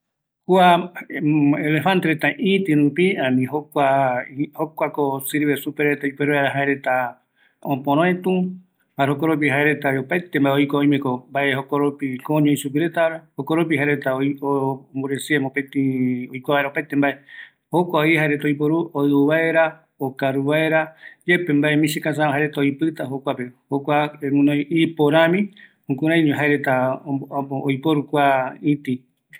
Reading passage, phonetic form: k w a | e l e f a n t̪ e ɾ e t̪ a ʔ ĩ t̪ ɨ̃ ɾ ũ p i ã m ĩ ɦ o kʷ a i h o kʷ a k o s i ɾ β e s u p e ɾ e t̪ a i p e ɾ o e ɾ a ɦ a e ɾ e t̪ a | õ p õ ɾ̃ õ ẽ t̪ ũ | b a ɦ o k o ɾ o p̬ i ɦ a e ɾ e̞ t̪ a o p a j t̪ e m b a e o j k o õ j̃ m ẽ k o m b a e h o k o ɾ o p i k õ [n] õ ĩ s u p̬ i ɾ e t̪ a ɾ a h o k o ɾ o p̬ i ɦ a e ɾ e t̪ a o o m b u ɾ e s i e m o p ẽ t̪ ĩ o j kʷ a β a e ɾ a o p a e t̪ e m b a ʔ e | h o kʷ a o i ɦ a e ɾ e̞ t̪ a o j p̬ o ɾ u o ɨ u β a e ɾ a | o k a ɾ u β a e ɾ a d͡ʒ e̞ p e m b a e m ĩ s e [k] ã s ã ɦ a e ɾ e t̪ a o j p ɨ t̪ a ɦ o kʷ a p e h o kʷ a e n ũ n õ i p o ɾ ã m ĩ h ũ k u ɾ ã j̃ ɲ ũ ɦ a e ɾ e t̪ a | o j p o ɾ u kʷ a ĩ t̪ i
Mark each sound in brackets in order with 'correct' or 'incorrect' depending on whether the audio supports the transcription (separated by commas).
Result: incorrect, correct